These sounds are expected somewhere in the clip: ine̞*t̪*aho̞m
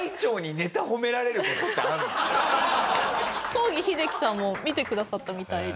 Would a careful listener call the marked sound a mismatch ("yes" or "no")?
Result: no